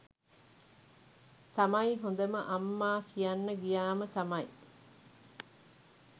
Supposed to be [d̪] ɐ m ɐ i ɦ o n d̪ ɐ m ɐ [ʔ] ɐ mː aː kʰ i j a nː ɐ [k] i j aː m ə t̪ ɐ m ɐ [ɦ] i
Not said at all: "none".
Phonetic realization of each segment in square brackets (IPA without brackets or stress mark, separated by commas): t̪, ʔ, ɡ, none